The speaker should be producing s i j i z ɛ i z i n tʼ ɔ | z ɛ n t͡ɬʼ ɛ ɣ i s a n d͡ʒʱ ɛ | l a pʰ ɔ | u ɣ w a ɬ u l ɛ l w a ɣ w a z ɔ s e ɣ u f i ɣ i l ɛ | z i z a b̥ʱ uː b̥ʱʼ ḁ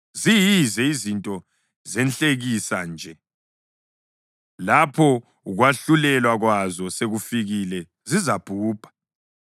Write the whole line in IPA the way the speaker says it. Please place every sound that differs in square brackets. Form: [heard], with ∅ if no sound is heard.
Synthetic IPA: [z] i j i z ɛ i z i n tʼ ɔ | z ɛ n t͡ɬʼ [e] ɣ i s a n d͡ʒʱ ɛ | l a pʰ ɔ | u ɣ w a ɬ u l ɛ l w a ɣ w a z ɔ s e ɣ u f i ɣ i l ɛ | z i z a b̥ʱ uː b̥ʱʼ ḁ